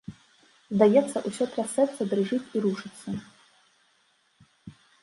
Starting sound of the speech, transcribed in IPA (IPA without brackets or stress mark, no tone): z